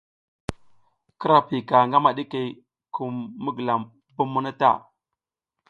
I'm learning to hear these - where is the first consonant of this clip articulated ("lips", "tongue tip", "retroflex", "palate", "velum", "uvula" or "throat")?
velum